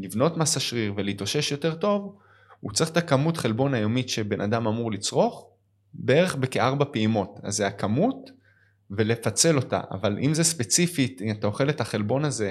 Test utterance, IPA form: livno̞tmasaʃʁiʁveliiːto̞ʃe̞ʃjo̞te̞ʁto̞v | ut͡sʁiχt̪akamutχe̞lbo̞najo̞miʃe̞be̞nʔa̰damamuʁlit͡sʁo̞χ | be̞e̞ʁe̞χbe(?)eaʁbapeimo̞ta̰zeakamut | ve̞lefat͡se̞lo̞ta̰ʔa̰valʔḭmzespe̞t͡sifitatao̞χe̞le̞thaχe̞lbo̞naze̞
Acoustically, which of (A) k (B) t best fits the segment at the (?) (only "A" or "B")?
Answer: A